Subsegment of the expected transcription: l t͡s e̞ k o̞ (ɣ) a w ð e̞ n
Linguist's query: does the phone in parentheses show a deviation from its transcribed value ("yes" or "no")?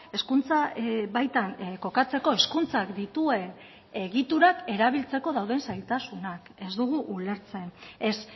yes